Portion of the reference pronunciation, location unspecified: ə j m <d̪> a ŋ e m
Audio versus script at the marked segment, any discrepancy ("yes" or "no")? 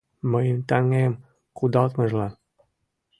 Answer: yes